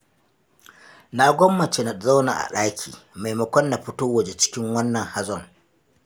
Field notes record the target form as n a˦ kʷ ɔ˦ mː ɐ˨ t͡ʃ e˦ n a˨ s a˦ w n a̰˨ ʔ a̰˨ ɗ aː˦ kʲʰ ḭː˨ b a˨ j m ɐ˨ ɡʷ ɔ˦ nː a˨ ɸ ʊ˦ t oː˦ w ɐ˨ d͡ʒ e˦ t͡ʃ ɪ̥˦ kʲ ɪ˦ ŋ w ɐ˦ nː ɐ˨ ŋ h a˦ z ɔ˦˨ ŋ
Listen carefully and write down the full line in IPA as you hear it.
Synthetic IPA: n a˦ ɡʷ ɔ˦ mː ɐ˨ t͡ʃ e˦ n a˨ z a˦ w n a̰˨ ʔ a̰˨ ɗ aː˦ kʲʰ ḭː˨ m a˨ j m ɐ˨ kʷ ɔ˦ nː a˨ ɸ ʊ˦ t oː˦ w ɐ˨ d͡ʒ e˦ t͡ʃ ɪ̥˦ kʲ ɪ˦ ŋ w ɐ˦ nː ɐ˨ ŋ h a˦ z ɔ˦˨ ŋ